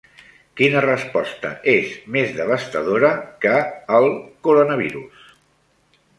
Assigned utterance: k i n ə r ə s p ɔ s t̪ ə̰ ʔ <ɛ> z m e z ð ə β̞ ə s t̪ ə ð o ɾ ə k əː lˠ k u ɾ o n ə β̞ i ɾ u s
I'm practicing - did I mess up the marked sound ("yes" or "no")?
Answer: yes